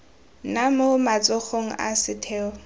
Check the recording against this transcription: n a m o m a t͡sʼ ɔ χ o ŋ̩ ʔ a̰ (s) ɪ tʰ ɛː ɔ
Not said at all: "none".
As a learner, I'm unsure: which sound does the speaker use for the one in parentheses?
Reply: s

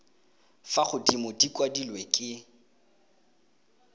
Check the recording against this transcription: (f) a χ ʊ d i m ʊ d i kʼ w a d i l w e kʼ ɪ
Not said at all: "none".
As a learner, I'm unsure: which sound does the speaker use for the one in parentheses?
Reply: f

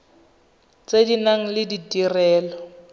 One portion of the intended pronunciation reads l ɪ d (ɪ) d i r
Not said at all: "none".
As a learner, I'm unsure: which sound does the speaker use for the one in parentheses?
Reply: i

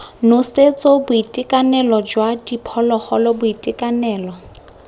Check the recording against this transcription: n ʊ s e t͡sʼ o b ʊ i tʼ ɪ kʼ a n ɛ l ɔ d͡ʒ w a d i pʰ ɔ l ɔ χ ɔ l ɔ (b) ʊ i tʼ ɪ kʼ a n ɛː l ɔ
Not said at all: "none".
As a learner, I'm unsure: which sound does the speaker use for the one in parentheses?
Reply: b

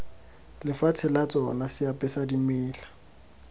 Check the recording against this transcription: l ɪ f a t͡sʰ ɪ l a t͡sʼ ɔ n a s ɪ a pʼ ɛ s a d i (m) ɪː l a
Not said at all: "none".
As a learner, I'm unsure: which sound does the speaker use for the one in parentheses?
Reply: m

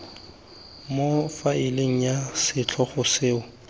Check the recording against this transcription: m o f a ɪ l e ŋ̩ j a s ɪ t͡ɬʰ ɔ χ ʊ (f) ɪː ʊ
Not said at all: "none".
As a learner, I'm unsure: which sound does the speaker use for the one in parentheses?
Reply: s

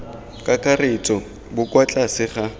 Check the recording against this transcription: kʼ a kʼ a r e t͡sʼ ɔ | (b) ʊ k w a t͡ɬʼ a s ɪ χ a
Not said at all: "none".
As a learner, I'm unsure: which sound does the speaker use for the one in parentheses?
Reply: b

